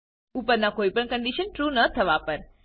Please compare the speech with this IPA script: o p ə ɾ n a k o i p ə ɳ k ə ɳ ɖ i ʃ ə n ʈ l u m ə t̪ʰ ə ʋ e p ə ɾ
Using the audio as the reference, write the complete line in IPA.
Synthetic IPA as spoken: u p ə ɾ n a k o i p ə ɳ k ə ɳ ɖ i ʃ ə n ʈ ɾ u n ə t̪ʰ ə ʋ a p ə ɾ